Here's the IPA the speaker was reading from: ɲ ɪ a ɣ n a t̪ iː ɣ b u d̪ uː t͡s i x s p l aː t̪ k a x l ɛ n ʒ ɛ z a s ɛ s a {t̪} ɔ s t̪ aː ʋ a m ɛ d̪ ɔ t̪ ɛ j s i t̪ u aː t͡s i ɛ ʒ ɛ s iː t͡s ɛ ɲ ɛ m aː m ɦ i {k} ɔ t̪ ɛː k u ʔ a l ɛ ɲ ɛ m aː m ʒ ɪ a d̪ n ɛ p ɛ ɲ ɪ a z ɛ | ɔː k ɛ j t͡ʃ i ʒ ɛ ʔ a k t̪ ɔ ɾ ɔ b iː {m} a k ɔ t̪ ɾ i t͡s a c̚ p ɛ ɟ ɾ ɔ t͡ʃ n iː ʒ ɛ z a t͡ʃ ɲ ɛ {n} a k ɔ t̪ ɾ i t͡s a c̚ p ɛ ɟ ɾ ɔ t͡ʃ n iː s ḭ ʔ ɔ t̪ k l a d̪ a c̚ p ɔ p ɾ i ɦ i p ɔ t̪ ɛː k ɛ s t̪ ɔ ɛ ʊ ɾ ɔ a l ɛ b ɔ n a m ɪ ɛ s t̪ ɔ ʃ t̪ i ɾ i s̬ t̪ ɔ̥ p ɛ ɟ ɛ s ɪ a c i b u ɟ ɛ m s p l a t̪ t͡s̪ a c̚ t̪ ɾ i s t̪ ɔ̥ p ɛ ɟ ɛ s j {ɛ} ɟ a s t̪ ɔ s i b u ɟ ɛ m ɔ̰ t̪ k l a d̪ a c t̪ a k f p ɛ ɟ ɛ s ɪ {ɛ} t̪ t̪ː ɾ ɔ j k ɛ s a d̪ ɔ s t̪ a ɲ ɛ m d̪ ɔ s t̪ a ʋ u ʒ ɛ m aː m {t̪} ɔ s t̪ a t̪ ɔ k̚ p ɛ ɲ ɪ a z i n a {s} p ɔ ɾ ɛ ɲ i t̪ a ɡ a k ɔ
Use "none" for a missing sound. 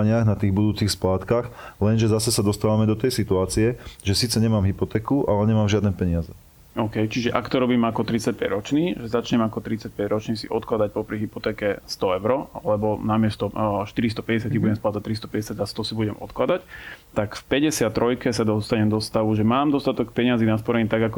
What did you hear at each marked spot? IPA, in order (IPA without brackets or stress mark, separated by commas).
d̪, p, m, m, a, a, d̪, s